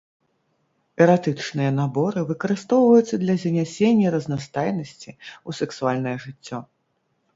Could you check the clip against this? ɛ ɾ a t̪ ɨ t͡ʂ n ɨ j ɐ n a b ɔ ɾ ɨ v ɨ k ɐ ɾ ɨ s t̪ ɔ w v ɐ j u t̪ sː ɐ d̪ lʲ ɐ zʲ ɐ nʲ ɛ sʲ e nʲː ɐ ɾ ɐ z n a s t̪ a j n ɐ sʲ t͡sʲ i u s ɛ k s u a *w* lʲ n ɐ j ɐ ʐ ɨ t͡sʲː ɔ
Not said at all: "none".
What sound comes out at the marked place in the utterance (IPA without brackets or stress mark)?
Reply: none